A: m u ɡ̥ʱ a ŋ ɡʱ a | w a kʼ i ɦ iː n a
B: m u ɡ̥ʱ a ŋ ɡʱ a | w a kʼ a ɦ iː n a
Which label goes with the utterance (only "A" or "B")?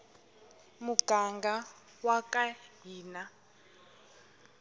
B